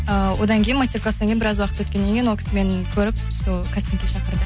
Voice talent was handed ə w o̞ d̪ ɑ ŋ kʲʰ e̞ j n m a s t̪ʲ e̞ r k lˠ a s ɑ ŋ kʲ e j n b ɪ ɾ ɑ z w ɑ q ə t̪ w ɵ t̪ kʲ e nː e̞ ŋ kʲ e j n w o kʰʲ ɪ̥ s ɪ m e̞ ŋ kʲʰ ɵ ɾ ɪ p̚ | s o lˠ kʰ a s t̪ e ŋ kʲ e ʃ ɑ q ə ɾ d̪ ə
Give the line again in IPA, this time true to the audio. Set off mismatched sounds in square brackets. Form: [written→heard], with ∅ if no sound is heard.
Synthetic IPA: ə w o̞ d̪ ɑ ŋ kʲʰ e̞ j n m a s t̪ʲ e̞ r k lˠ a s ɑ ŋ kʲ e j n b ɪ ɾ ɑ z w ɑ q ə t̪ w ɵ t̪ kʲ e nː e̞ ŋ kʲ e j n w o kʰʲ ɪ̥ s ɪ m e̞ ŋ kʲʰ ɵ ɾ ɪ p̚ | s o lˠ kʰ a s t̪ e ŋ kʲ e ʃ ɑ q ə ɾ d̪ ə